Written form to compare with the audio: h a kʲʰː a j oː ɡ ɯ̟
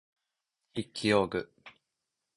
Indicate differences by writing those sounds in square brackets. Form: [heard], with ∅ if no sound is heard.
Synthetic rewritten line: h [i] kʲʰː [i] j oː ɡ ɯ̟